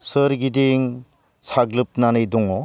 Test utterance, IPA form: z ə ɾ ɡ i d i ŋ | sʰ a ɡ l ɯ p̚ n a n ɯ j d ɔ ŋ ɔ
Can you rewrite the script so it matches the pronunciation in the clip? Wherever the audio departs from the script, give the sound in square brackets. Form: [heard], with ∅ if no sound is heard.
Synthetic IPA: [s] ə ɾ ɡ i d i ŋ | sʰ a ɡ l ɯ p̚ n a n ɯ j d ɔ ŋ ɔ